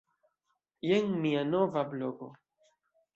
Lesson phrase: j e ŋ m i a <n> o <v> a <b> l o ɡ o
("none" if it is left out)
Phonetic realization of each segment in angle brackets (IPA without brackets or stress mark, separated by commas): n, v, b